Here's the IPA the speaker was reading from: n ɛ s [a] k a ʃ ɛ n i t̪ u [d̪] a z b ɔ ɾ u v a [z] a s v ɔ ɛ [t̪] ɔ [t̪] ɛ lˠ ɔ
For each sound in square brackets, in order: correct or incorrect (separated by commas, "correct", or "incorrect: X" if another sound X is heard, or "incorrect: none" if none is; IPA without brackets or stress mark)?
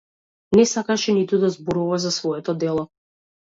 correct, correct, correct, correct, incorrect: d̪